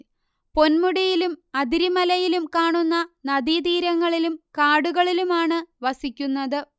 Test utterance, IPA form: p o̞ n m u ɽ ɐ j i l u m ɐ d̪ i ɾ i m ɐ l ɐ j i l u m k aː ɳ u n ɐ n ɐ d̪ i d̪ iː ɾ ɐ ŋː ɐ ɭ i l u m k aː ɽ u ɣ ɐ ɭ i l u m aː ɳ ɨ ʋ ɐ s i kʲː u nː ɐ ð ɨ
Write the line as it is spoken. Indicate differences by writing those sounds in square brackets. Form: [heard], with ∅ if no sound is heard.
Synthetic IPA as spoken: p o̞ n m u ɽ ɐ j i l u m ɐ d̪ i ɾ i m ɐ l ɐ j i l u m k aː ɳ u [nː] ɐ n ɐ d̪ i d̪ iː ɾ ɐ ŋː ɐ ɭ i l u m k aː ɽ u ɣ ɐ ɭ i l u m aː ɳ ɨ ʋ ɐ s i kʲː u nː ɐ ð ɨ